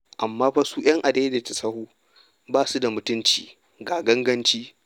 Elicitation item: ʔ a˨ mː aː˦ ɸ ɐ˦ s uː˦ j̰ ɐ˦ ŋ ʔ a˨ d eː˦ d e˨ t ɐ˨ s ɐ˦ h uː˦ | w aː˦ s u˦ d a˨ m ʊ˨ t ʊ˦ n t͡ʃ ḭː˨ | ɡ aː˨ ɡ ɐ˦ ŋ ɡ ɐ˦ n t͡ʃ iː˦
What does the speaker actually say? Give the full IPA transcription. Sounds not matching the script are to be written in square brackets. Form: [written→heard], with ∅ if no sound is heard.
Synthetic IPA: ʔ a˨ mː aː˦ ɸ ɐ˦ s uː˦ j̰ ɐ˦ ŋ ʔ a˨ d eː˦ d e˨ t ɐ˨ s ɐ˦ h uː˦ | [w→b] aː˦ s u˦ d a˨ m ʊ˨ t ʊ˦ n t͡ʃ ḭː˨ | ɡ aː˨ ɡ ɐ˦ ŋ ɡ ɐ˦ n t͡ʃ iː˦